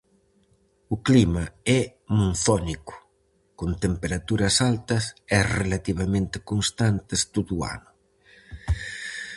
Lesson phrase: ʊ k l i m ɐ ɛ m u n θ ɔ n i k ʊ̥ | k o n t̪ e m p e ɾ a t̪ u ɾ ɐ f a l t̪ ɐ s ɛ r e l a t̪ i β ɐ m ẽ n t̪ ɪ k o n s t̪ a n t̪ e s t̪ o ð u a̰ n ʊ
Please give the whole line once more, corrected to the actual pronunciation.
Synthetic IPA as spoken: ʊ k l i m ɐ ɛ m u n θ ɔ n i k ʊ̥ | k o n t̪ e m p e ɾ a t̪ u ɾ ɐ s a l t̪ ɐ s ɛ r e l a t̪ i β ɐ m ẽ n t̪ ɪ k o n s t̪ a n t̪ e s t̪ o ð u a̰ n ʊ